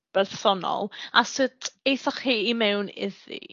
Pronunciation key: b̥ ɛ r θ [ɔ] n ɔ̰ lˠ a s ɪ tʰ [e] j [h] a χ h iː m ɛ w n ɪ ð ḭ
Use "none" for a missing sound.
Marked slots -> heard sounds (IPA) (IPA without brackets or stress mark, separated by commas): ɔ, e, θ